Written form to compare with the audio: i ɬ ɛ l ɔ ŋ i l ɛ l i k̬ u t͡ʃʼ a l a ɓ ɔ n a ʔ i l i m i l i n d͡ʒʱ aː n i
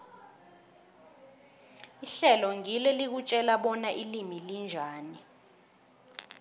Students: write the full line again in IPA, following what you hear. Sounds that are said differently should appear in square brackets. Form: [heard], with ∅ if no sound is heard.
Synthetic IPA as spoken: i ɬ ɛ l ɔ ŋ i l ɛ l i k̬ u t͡ʃʼ [ɛ] l a ɓ ɔ n a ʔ i l i m i l i n d͡ʒʱ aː n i